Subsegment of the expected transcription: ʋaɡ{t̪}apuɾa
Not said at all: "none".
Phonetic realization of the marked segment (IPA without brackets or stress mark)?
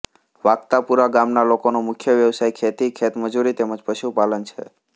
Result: t̪